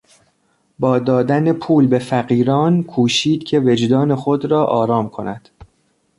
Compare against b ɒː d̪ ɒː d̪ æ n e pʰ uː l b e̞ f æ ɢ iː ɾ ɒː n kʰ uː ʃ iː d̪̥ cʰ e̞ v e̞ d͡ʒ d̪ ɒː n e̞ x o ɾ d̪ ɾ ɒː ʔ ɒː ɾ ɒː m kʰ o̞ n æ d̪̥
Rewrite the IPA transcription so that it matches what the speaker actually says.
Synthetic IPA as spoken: b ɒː d̪ ɒː d̪ æ n e pʰ uː l b e̞ f æ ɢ iː ɾ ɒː n kʰ uː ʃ iː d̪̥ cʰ e̞ v e̞ d͡ʒ d̪ ɒː n e̞ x o d̪ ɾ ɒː ʔ ɒː ɾ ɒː m kʰ o̞ n æ d̪̥